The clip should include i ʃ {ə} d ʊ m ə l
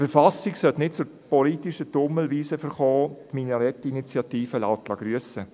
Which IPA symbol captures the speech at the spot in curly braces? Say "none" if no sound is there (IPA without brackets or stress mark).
ə